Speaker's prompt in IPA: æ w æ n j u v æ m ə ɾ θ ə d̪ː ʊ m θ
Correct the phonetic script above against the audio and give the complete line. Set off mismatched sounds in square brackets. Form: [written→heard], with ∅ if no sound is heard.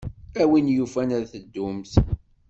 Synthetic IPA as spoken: æ w [æ→i] n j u [v→f] æ [m→n] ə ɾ θ ə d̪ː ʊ m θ